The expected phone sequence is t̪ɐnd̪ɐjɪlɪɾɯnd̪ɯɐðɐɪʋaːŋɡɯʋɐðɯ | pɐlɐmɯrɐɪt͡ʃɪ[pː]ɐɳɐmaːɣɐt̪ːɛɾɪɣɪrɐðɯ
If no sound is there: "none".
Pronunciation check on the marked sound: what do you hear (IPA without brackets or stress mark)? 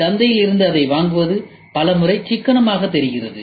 kː